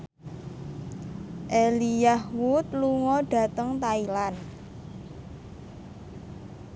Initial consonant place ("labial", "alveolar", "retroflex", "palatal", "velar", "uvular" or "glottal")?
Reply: glottal